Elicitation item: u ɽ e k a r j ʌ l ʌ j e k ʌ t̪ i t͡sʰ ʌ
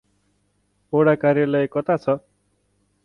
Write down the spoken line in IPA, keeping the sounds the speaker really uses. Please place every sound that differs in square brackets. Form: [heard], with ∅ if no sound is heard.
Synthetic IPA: [o] ɽ [a] k a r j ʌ l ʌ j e k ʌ t̪ [a] t͡sʰ ʌ